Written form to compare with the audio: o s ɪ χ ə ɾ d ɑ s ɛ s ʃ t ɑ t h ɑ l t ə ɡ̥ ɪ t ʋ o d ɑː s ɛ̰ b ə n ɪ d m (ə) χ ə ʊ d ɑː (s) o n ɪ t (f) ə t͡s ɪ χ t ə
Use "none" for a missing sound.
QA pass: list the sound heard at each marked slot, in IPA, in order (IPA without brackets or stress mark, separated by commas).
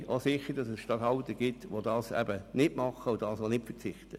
ɑ, s, f